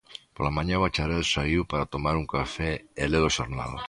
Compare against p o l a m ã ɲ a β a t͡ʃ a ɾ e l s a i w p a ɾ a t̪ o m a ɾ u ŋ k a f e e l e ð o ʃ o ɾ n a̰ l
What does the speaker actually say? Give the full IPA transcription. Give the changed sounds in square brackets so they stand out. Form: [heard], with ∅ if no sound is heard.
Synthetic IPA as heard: p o l a m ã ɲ a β a t͡ʃ a ɾ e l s a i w p a ɾ a t̪ o m a ɾ u ŋ k a f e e l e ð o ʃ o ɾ n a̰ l